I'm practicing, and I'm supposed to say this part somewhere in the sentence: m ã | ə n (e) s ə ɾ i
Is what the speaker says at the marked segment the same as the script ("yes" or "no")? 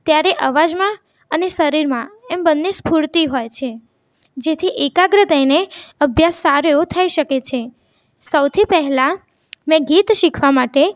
yes